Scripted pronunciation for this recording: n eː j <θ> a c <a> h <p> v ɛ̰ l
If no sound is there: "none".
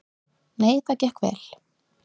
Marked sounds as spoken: θ, ɛ, k

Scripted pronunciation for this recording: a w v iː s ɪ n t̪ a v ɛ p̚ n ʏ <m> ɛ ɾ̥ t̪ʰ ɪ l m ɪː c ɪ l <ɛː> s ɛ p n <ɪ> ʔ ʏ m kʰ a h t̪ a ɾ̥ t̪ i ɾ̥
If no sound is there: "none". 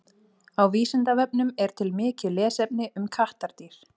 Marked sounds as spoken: m, ɛː, ɪ

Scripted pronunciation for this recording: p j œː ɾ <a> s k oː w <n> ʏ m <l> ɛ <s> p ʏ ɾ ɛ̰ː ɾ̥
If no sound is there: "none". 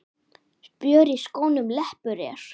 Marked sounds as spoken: i, n, l, h

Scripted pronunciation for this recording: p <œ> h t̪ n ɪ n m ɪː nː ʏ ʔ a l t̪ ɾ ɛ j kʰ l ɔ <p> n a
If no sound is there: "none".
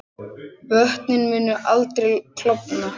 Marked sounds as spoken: œ, p

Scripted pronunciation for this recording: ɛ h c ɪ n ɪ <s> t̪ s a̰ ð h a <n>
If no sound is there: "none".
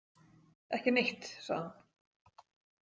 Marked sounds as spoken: h, n

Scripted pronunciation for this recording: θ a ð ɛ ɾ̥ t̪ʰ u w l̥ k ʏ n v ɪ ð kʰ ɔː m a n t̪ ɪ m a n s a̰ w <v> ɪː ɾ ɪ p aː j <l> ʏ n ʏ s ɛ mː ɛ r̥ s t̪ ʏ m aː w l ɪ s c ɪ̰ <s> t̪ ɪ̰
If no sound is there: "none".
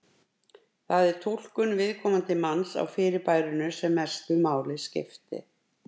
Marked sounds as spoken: f, ɾ, f

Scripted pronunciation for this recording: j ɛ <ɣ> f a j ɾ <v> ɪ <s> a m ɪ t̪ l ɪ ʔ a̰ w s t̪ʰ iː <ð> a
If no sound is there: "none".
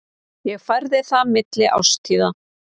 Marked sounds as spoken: ɣ, ð, θ, ð

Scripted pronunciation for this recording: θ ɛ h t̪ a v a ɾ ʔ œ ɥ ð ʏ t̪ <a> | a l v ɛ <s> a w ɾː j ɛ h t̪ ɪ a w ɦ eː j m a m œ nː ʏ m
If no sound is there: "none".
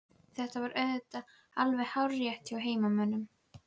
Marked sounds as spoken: a, h

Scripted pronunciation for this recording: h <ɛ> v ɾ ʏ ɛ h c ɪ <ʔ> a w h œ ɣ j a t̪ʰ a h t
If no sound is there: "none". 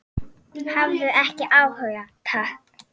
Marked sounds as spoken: a, ʔ

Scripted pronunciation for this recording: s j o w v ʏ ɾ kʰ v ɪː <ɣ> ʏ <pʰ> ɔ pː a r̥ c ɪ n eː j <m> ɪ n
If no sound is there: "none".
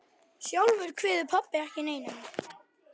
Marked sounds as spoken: ð, pʰ, n

